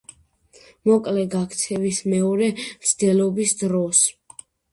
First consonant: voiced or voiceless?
voiced